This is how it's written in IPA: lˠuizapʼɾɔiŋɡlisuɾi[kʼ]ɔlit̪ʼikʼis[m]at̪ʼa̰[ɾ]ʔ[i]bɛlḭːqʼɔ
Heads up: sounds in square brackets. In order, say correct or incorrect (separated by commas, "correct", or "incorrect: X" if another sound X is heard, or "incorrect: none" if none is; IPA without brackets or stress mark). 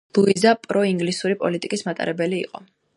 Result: incorrect: pʼ, correct, correct, incorrect: ɛ